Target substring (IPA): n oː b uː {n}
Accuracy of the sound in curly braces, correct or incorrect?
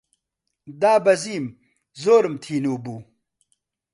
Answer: incorrect